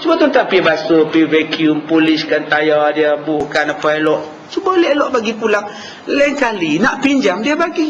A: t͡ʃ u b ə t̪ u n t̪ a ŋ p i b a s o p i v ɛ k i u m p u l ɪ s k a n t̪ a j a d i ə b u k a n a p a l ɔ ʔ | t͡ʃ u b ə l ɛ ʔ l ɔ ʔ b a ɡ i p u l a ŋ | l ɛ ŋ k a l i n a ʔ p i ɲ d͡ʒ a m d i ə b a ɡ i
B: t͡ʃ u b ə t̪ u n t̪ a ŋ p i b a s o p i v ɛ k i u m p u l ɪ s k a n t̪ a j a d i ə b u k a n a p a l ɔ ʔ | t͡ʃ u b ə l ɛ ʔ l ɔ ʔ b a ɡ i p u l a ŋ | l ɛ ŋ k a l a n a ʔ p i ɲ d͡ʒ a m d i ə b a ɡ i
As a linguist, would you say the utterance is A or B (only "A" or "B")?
A